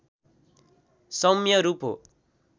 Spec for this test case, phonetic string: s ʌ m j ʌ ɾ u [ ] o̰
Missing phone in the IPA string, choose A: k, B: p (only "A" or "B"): B